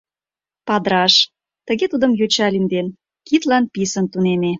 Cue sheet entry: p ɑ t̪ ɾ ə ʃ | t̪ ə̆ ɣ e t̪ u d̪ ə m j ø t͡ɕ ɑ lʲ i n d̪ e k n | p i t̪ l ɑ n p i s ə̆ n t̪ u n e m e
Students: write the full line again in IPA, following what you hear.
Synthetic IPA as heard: p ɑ d̪ ɾ ɑ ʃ | t̪ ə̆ ɣ e t̪ u d̪ ə m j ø t͡ɕ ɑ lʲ i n d̪ e n | k i t̪ l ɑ n p i s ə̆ n t̪ u n e m e